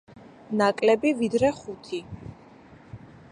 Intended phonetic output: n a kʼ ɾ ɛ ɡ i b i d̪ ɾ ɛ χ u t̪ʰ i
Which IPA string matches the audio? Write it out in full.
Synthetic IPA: n a kʼ l ɛ b i v i d̪ ɾ ɛ χ u t̪ʰ i